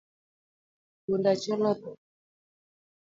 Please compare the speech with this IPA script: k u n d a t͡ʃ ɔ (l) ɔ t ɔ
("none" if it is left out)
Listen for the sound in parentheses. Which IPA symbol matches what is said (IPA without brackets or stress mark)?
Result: l